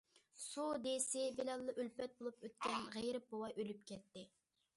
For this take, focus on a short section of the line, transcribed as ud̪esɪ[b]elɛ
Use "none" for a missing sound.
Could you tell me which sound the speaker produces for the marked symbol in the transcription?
b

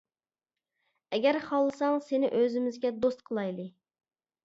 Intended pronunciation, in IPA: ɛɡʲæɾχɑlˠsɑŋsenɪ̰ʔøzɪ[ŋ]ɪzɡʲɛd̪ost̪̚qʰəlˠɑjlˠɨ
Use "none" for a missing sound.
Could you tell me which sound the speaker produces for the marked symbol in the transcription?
m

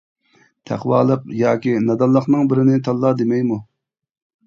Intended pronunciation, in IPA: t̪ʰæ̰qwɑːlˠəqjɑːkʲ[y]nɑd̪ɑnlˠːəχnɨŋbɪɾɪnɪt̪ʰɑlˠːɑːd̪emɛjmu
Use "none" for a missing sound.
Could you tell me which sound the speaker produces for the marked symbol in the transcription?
i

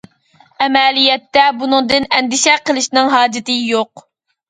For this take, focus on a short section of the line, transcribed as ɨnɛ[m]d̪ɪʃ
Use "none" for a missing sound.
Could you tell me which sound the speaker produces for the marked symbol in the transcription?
n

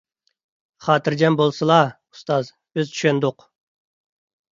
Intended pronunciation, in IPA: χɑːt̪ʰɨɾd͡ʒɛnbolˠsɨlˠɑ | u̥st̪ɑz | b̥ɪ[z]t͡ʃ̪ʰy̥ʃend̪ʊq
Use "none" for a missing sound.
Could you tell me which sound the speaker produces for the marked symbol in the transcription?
z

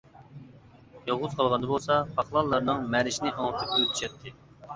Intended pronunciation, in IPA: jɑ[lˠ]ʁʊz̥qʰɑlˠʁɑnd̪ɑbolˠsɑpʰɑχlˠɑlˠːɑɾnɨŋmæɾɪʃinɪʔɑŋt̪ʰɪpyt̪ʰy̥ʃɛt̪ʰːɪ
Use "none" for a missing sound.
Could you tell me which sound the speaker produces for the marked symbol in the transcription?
none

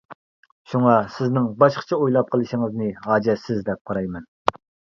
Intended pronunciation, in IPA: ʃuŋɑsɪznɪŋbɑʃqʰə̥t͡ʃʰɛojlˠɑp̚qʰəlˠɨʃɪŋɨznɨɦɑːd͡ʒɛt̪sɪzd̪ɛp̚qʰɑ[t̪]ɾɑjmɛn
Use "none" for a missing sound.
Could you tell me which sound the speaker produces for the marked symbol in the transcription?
none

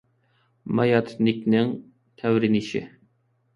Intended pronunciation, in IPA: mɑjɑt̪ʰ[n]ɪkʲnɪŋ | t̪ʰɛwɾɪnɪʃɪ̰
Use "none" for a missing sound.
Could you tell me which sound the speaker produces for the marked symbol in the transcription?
n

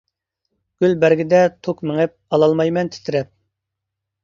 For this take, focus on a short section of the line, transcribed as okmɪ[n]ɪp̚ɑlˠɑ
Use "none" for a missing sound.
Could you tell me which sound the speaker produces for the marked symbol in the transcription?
ŋ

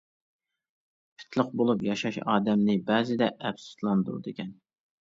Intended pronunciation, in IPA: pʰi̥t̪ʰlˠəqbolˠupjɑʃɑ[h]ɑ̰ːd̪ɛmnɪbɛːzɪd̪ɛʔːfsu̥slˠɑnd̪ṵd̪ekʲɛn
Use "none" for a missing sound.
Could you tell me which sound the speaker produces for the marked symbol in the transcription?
ʃ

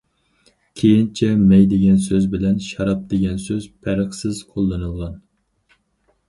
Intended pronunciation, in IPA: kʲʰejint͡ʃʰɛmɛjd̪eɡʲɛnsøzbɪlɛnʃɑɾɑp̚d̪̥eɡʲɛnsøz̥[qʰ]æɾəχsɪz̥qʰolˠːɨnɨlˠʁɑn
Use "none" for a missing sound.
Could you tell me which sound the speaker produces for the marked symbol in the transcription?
pʰ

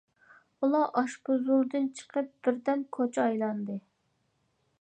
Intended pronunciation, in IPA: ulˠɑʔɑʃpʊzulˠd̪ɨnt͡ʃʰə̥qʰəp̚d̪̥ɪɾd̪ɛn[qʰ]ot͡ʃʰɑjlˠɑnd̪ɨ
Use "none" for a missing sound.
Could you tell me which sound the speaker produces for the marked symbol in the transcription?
kʰ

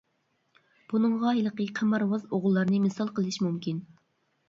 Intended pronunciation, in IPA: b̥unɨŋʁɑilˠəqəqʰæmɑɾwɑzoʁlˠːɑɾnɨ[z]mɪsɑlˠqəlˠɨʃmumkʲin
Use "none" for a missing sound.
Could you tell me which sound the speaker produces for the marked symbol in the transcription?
none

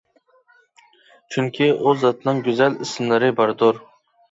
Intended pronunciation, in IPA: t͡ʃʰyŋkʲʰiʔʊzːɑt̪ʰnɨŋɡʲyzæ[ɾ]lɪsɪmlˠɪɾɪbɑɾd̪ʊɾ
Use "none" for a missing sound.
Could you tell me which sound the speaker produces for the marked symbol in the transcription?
none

